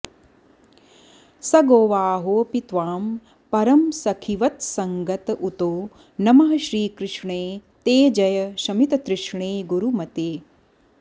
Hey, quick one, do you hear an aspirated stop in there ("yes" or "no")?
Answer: yes